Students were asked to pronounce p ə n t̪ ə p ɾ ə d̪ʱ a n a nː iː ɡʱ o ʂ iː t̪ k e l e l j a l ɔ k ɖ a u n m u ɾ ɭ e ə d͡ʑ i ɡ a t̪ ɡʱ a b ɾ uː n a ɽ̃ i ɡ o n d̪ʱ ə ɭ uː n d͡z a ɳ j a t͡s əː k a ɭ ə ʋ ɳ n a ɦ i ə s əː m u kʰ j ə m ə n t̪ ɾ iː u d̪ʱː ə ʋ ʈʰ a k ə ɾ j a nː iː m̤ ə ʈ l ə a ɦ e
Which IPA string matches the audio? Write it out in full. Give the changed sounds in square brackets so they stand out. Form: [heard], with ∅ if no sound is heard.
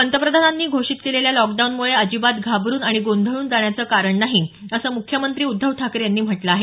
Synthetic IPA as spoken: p ə n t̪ ə p ɾ ə d̪ʱ a n a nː iː ɡʱ o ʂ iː t̪ k e l e l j a l ɔ k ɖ a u n m u [∅] ɭ e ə d͡ʑ i [b] a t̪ ɡʱ a b ɾ uː n a ɽ̃ i ɡ o n d̪ʱ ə ɭ uː n d͡z a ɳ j a t͡s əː k a [ɾ] ə [∅] ɳ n a ɦ i ə s əː m u kʰ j ə m ə n t̪ ɾ iː u d̪ʱː ə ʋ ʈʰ a k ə ɾ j a nː iː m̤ ə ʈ l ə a ɦ e